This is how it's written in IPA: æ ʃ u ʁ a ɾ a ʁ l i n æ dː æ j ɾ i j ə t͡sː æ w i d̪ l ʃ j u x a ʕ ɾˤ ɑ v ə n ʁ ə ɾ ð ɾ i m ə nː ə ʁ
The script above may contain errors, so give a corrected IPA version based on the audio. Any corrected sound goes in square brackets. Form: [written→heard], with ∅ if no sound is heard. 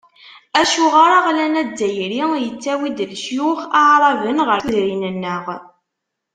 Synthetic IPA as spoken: æ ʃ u ʁ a ɾ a ʁ l [i→æ] n æ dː æ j ɾ i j ə t͡sː æ w i d̪ l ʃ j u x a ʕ ɾˤ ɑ v ə n ʁ ə ɾ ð ɾ i [m→n] ə nː ə ʁ